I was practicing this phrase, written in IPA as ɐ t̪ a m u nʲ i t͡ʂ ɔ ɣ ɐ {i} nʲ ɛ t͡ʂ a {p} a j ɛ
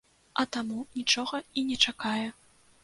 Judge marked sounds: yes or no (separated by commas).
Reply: yes, no